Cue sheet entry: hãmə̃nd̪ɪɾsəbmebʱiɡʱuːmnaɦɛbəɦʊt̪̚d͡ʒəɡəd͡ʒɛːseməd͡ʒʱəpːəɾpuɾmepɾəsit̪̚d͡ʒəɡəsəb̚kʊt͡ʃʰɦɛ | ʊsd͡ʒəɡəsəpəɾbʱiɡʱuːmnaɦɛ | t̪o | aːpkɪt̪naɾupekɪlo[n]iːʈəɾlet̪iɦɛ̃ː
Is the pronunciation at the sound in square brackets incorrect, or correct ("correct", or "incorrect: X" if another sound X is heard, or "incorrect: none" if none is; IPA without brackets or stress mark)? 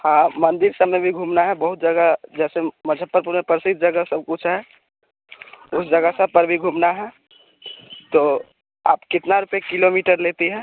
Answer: incorrect: m